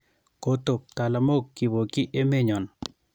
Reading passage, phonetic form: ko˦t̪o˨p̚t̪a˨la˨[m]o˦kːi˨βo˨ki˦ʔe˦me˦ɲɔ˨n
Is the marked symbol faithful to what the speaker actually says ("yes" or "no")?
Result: yes